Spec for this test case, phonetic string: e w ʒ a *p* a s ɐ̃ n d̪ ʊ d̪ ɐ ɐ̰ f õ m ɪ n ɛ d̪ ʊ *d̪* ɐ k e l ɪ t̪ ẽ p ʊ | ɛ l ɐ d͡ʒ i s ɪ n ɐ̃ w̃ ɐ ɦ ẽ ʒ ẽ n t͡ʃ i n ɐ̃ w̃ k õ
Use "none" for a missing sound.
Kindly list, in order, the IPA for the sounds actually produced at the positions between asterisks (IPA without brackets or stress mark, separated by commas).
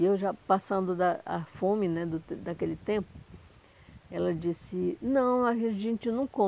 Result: p, d̪